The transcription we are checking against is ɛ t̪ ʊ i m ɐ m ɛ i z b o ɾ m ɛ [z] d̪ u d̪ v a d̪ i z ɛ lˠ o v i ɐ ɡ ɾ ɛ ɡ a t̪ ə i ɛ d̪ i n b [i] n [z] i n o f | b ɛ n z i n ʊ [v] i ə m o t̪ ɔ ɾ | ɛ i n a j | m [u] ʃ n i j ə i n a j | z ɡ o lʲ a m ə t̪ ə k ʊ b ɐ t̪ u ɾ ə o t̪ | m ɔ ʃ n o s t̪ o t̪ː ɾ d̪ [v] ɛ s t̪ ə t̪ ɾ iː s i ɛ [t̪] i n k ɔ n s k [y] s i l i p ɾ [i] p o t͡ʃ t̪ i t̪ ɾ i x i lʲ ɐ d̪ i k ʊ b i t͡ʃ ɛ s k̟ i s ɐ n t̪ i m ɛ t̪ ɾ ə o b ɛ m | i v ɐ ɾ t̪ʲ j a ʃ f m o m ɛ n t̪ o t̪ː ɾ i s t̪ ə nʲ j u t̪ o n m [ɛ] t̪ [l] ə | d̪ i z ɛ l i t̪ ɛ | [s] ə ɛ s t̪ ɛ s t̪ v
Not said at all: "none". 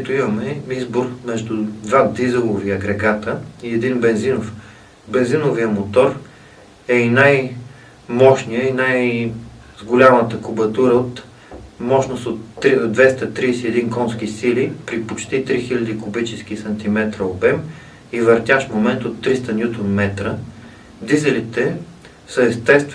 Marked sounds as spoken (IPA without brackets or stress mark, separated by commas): ʒ, ɛ, z, v, ɔ, v, d̪, i, i, ɛ, ɾ, s